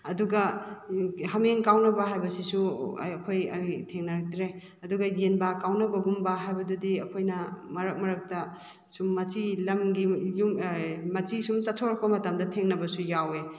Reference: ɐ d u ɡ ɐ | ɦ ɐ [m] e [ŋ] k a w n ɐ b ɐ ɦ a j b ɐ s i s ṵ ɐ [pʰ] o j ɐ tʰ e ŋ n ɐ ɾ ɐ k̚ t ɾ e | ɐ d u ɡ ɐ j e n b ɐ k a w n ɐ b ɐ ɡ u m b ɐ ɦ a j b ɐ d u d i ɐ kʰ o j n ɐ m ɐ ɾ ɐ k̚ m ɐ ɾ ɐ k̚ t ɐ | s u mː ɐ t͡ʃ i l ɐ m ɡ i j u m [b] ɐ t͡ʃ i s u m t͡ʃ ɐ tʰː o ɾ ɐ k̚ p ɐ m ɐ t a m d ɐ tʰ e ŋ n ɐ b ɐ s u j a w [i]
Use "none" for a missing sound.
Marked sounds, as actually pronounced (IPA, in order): m, ŋ, kʰ, m, e

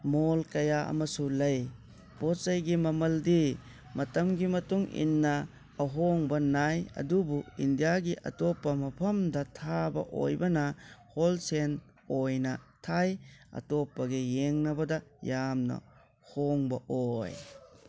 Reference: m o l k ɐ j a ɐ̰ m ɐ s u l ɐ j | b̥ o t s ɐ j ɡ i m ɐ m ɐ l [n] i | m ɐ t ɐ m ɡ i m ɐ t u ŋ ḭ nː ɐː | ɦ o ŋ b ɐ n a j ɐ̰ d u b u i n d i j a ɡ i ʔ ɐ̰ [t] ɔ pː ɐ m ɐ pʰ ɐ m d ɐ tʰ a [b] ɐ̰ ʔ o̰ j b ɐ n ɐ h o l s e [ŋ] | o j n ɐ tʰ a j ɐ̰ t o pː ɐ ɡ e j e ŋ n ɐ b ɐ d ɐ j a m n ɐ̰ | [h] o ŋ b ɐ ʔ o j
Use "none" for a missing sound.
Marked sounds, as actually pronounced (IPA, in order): d, t, b, n, h

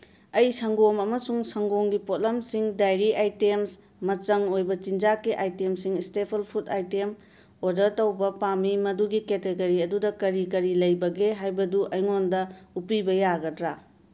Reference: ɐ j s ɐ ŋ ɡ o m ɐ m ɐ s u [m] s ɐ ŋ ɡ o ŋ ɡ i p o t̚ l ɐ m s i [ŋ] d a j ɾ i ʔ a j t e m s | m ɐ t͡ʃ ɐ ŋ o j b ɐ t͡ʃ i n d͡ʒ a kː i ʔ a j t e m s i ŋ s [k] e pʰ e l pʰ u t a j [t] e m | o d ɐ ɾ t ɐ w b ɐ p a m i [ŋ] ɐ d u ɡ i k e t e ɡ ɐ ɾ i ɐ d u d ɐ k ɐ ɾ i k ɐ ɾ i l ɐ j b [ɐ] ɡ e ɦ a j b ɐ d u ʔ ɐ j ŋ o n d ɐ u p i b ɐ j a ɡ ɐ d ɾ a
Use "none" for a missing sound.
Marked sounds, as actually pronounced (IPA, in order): ŋ, ŋ, t, t, m, ɐ

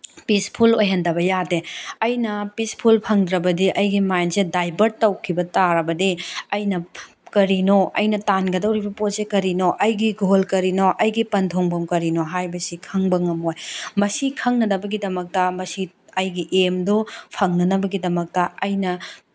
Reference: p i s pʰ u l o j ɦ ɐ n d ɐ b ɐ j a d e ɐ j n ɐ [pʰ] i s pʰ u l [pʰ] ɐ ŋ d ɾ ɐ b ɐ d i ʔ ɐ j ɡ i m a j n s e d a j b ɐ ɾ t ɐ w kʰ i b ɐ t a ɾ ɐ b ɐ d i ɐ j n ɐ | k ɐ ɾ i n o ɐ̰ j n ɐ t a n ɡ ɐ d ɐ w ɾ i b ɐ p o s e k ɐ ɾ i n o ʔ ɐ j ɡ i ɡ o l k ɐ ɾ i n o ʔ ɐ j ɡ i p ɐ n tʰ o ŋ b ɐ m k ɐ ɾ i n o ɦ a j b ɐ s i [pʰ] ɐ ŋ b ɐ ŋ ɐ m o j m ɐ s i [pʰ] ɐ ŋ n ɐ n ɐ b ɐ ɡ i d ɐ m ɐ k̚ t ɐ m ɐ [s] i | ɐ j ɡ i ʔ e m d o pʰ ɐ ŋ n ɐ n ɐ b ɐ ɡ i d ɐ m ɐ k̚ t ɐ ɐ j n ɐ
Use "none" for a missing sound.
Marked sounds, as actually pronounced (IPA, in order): p, pʰ, kʰ, kʰ, s

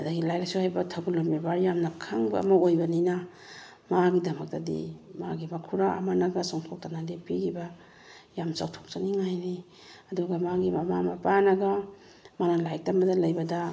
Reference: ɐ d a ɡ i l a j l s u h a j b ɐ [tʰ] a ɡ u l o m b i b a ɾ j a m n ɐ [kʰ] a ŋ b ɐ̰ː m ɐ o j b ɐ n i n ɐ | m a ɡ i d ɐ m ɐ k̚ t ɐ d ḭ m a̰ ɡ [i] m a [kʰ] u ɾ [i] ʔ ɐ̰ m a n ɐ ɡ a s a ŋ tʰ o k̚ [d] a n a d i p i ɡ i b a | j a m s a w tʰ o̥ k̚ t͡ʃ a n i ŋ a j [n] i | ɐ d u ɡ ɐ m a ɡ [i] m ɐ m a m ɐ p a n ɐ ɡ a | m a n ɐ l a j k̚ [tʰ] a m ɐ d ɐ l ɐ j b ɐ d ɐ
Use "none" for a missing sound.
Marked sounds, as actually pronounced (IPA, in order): tʰ, kʰ, i, kʰ, a, t, n, i, t

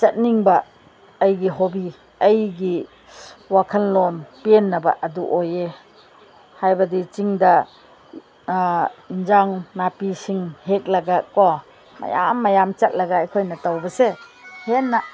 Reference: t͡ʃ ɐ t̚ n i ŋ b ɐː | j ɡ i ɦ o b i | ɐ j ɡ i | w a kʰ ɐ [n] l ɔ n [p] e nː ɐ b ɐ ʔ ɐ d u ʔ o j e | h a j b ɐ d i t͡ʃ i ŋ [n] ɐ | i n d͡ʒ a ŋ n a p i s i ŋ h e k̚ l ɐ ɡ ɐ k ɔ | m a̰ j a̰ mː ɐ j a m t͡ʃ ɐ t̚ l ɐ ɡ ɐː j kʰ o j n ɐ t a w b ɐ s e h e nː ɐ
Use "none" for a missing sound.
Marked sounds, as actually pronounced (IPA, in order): n, p, d

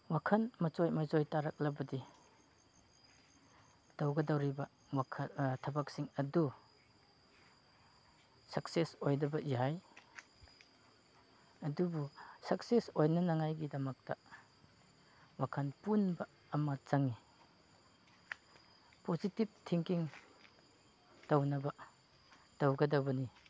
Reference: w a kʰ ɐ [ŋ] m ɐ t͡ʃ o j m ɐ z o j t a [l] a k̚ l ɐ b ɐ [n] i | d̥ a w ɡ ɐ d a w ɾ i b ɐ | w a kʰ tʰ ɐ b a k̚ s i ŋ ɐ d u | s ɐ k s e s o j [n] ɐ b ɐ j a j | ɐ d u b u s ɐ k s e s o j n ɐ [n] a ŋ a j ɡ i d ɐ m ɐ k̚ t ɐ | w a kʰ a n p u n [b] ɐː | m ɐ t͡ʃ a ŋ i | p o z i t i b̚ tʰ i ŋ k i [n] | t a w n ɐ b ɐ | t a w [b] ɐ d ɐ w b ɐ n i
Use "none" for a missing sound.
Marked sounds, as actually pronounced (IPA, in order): n, ɾ, d, d, n, b, ŋ, ɡ

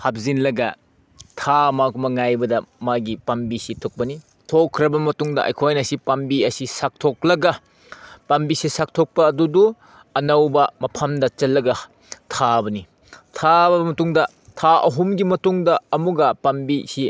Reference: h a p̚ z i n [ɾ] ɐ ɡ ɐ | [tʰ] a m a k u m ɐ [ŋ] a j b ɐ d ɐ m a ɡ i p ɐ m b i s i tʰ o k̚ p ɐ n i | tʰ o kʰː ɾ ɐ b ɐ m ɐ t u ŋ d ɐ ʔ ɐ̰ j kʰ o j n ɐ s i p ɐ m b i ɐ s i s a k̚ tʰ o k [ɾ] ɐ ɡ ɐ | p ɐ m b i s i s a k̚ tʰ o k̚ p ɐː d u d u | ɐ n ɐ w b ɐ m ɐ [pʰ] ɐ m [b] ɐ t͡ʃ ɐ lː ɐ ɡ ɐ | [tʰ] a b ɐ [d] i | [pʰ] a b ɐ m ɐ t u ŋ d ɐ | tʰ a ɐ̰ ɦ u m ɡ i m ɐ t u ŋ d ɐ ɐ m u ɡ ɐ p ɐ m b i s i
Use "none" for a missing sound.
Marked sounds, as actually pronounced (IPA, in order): l, tʰ, ŋ, l, pʰ, d, tʰ, n, tʰ

